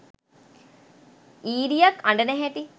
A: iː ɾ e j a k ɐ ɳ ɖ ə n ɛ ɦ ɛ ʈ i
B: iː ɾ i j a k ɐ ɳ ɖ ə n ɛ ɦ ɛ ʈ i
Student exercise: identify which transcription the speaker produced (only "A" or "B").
B